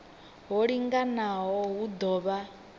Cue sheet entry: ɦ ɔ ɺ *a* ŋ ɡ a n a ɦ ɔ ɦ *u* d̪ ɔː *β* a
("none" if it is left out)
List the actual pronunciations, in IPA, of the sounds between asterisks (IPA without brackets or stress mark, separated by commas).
i, u, β